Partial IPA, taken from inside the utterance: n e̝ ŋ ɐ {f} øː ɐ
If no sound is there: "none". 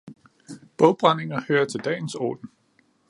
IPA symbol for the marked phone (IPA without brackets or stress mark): h